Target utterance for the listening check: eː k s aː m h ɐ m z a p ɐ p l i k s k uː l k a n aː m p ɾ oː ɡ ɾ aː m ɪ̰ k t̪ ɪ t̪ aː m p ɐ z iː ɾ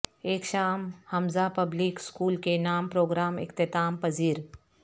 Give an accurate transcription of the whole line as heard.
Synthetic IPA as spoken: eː k ʃ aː m h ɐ m z a p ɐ b l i k s k uː l k e n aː m p ɾ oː ɡ ɾ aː m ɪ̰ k t̪ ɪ t̪ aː m p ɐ z iː ɾ